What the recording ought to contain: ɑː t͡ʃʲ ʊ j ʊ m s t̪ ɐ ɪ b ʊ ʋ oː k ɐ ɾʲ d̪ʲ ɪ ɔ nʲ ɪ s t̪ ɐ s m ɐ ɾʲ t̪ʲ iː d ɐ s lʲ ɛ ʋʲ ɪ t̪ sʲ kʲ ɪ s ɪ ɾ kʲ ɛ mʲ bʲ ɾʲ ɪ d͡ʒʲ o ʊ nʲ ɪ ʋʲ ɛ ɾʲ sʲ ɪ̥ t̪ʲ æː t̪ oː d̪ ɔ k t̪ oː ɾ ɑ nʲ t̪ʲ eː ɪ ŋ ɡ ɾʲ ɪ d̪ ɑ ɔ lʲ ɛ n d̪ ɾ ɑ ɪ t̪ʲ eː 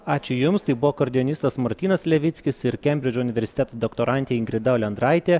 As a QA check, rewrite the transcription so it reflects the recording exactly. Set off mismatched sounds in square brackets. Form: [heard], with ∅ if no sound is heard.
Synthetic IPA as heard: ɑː t͡ʃʲ ʊ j ʊ m s t̪ ɐ ɪ b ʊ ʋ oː k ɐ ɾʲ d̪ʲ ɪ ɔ nʲ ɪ s t̪ ɐ s m ɐ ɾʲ t̪ʲ iː [n] ɐ s lʲ ɛ ʋʲ ɪ t̪ sʲ kʲ ɪ s ɪ ɾ kʲ ɛ mʲ bʲ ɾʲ ɪ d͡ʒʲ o ʊ nʲ ɪ ʋʲ ɛ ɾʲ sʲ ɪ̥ t̪ʲ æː t̪ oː d̪ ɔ k t̪ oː ɾ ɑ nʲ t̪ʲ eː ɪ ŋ ɡ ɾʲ ɪ d̪ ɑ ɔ lʲ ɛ n d̪ ɾ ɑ ɪ t̪ʲ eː